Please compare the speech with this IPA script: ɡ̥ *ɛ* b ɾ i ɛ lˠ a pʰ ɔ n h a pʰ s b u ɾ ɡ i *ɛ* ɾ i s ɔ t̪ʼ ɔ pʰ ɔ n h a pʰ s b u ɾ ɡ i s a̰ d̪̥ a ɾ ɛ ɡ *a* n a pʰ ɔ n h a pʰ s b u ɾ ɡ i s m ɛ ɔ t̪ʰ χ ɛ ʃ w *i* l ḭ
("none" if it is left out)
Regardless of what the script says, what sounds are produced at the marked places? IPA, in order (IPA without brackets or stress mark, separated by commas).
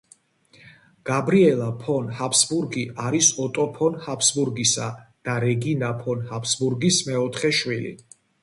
a, a, i, i